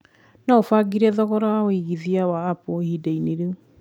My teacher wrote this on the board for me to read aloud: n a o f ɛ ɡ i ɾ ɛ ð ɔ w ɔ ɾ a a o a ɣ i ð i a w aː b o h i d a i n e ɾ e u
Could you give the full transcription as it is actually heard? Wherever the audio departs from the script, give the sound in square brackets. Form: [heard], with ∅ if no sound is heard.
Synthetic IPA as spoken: n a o f [a] ɡ i ɾ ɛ ð ɔ [ɣ] ɔ ɾ a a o [i] ɣ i ð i a w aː [p] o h i d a i n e ɾ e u